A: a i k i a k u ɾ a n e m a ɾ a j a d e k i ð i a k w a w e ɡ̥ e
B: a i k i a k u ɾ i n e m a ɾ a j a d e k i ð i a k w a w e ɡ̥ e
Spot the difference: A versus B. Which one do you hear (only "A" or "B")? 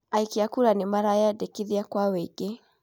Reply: A